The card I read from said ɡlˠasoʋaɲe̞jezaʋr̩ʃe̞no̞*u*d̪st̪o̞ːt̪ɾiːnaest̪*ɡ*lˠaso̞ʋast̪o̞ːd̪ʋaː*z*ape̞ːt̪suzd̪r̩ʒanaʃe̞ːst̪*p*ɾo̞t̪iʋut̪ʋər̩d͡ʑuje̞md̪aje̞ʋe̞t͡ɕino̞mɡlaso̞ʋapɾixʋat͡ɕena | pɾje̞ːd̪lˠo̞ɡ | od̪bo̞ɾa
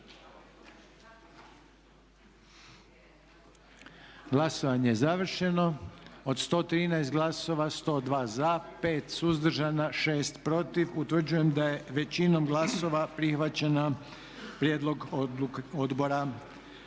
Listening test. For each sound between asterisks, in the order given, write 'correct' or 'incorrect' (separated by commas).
incorrect, correct, correct, correct